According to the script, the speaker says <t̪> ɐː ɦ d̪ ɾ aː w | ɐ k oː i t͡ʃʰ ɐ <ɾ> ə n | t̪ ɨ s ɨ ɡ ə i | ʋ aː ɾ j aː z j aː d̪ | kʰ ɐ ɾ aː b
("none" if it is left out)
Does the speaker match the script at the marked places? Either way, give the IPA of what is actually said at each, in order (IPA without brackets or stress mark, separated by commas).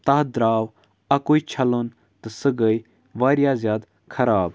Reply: t̪, l